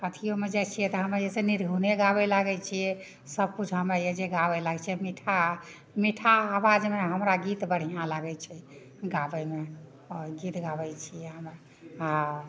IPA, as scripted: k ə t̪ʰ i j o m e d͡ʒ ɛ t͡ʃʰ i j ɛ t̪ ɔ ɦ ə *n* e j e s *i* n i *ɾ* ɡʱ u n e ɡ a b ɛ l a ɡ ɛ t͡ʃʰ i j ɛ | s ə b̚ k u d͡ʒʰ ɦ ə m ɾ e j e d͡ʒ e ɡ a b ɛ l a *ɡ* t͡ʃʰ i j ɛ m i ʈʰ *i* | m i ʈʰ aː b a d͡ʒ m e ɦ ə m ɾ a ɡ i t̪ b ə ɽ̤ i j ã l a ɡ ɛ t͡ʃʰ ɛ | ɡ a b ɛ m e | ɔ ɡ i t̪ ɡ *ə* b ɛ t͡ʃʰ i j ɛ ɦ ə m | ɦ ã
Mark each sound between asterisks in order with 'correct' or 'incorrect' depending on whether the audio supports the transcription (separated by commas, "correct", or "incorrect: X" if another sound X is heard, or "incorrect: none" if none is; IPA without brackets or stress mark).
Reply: incorrect: m, incorrect: e, correct, correct, incorrect: a, incorrect: a